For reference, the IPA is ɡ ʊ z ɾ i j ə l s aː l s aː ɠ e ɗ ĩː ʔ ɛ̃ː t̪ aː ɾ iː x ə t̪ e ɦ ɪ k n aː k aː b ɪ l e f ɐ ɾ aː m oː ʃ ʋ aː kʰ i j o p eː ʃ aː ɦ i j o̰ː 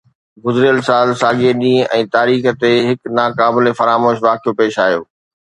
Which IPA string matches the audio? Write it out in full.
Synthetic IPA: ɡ ʊ z ɾ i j ə l s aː l s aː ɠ e ɗ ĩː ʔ ɛ̃ː t̪ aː ɾ iː x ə t̪ e ɦ ɪ k n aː k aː b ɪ l e f ɐ ɾ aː m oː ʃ ʋ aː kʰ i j o p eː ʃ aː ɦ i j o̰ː

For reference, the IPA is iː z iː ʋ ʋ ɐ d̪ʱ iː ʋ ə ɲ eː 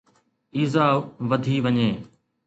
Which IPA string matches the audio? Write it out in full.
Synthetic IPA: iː z aː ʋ ʋ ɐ d̪ʱ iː ʋ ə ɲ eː

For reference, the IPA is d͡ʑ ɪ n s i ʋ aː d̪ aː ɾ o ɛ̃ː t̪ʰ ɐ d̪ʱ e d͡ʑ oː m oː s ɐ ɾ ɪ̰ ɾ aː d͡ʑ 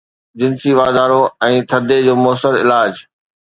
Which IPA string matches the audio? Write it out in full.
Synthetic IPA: d͡ʑ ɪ n s i ʋ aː d̪ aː ɾ o ɛ̃ː t̪ʰ ɐ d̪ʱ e d͡ʑ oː m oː s ə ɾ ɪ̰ l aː d͡ʑ

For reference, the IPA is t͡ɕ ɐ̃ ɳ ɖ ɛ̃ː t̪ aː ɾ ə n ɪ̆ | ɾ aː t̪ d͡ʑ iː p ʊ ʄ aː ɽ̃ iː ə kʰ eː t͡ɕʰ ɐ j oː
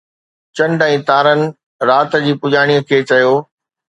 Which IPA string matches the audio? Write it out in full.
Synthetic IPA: t͡ɕ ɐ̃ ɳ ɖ ɛ̃ː t̪ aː ɾ ə n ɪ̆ | ɾ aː t̪ d͡ʑ iː p ʊ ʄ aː ɽ̃ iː ə kʰ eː t͡ɕ ɐ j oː

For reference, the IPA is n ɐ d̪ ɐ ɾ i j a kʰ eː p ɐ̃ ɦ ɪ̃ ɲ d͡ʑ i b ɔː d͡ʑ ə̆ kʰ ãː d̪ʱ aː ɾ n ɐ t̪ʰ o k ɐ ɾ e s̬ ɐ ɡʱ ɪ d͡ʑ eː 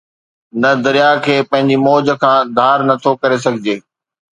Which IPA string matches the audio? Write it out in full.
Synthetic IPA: n ɐ d̪ ɐ ɾ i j a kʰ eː p ɐ̃ ɦ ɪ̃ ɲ d͡ʑ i m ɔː d͡ʑ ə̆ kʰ ãː d̪ʱ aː ɾ n ɐ t̪ʰ o k ɐ ɾ e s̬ ɐ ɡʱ ɪ d͡ʑ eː

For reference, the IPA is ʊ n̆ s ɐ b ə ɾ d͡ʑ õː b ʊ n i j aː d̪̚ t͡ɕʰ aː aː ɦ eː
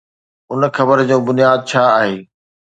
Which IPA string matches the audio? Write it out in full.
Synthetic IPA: ʊ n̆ x ɐ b ə ɾ d͡ʑ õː b ʊ n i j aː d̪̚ t͡ɕʰ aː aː ɦ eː

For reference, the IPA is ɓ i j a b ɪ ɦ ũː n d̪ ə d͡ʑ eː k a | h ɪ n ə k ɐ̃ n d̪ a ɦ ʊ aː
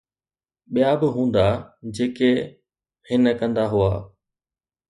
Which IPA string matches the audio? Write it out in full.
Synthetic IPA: ɓ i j a b ɪ ɦ ũː n d̪ a d͡ʑ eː k e | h ɪ n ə k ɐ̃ n d̪ a ɦ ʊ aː

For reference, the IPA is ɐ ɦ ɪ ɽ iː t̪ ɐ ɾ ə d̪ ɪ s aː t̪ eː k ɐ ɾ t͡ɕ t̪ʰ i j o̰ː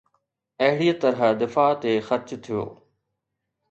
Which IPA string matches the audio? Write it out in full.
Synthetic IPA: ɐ ɦ ɪ ɽ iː t̪ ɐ ɾ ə d̪ ɪ f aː t̪ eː x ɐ ɾ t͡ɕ t̪ʰ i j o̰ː

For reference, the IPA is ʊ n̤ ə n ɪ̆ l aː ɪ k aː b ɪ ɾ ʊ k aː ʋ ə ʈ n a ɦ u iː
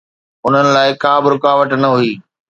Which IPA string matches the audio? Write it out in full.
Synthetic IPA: ʊ n̤ ə n ɪ̆ l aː ɪ k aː b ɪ ɾ ʊ k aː ʋ ə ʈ n ɐ ɦ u iː

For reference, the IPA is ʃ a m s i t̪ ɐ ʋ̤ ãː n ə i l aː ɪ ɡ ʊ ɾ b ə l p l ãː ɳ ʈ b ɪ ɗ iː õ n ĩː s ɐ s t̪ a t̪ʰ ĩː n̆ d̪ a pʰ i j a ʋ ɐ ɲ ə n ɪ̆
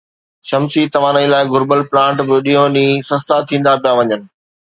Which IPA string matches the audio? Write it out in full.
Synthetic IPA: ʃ ɐ m s i t̪ ɐ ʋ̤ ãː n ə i l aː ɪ ɡ ʊ ɾ b ə l p l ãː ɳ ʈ b ɪ ɗ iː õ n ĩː s ɐ s t̪ a t̪ʰ ĩː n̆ d̪ a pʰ i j a ʋ ɐ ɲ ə n ɪ̆

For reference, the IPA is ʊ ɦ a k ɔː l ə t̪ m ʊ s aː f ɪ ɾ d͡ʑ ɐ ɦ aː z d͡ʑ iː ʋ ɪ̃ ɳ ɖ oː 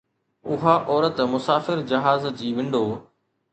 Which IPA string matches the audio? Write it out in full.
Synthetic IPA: ʊ ɦ a ʔ ɔː ɾ ə t̪ m ʊ s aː f ɪ ɾ d͡ʑ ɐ ɦ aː z d͡ʑ iː ʋ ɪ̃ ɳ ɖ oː

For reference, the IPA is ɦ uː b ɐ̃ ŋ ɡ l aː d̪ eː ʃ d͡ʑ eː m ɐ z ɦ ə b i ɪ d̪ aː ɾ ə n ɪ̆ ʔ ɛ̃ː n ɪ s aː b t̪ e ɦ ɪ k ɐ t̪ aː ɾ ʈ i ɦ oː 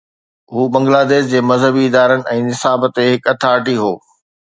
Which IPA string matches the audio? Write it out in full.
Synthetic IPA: ɦ uː b ɐ̃ ŋ ɡ l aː d̪ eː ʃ d͡ʑ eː m ɐ z ɦ ə b i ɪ d̪ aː ɾ ə n ɪ̆ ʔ ɛ̃ː n ɪ s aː b t̪ e ɦ ɪ k ɐ t̪ʰ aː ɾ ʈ i ɦ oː

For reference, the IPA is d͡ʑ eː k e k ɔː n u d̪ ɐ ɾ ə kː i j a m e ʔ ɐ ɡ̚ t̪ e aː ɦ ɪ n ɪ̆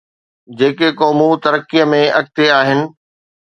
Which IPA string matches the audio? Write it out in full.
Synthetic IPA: d͡ʑ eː k e k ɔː m u t̪ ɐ ɾ ə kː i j ə m ẽ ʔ ɐ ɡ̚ t̪ e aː ɦ ɪ n ɪ̆

